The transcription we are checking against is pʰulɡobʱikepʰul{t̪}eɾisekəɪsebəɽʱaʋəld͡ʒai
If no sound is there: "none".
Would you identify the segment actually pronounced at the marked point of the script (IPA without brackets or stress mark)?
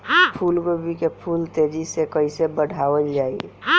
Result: t̪